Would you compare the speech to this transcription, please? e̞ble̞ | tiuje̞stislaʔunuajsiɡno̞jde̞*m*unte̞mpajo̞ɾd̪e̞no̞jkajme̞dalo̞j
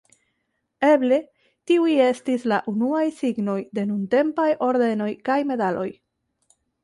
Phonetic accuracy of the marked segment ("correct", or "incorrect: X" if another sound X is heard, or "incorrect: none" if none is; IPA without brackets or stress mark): incorrect: n